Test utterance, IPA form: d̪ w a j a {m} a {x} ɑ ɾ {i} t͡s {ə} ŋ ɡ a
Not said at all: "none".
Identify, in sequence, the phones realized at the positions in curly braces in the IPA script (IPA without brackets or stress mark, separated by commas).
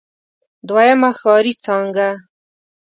m, x, i, ɑ